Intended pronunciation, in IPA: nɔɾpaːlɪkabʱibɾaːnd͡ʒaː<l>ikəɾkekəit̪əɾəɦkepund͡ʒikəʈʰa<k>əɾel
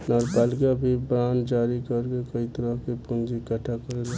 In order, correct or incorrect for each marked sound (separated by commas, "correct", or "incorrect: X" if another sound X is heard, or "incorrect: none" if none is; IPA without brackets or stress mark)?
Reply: incorrect: ɾ, correct